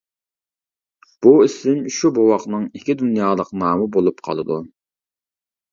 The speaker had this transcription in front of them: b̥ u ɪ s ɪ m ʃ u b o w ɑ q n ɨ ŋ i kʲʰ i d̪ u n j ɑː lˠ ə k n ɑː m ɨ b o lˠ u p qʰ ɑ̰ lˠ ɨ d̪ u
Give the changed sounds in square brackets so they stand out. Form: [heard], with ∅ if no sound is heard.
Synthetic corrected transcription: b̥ u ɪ s ɪ m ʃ u b o w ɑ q n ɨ ŋ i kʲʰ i d̪ u n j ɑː lˠ ə [q] n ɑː m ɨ b o lˠ u p qʰ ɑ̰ lˠ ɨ d̪ u